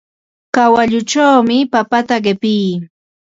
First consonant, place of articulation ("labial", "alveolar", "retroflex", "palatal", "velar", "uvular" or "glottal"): velar